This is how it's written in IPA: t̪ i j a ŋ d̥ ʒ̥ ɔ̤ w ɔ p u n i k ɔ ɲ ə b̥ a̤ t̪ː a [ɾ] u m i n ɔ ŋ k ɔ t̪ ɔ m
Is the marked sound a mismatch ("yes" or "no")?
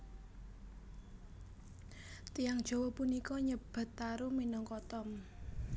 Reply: no